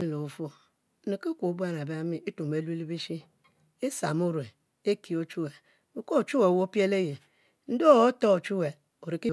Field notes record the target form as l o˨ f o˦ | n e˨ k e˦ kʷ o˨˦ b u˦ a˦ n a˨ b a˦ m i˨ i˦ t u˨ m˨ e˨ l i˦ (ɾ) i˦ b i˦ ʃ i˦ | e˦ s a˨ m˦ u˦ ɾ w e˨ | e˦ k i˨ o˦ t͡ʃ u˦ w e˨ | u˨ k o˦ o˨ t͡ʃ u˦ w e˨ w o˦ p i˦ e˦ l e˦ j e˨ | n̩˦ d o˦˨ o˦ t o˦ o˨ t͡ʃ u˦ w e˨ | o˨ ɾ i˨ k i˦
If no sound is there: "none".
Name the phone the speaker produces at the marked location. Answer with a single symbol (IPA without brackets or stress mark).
l